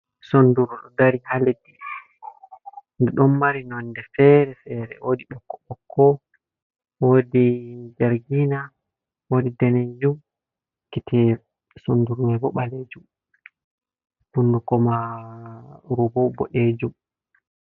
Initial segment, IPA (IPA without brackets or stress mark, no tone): s